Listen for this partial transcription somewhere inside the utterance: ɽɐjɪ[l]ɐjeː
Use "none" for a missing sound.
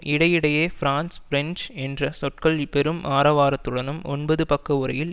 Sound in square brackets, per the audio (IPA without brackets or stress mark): ɽ